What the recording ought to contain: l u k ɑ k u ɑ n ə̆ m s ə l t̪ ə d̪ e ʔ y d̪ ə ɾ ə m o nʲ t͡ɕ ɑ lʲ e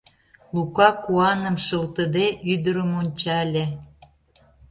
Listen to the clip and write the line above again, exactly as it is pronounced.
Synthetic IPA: l u k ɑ k u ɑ n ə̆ m ʃ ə l t̪ ə d̪ e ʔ y d̪ ə ɾ ə m o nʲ t͡ɕ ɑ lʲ e